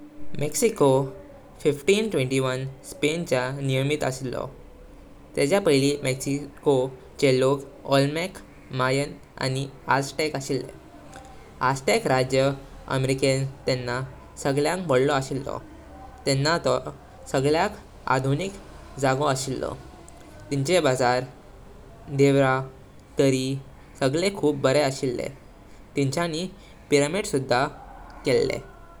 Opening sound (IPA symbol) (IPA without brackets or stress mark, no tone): m